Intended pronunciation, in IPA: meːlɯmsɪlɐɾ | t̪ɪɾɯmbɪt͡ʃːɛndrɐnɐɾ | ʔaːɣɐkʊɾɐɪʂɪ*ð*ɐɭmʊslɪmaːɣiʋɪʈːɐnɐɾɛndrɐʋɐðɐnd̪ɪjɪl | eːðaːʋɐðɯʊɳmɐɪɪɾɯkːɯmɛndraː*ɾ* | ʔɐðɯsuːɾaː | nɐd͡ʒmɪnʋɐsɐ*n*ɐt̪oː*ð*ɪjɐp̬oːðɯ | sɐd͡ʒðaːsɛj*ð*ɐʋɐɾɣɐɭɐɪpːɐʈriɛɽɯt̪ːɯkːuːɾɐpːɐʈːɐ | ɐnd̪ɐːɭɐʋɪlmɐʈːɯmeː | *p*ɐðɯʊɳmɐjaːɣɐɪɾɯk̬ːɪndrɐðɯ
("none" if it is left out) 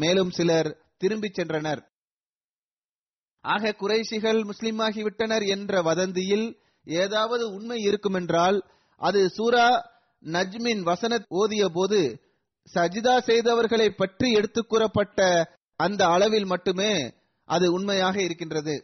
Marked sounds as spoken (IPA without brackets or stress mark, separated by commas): ɣ, l, n, ð, ð, ʔ